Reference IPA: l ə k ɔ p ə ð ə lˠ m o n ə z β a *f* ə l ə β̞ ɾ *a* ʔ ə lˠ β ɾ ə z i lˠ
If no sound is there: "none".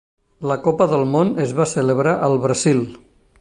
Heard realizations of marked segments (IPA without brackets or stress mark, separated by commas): s, a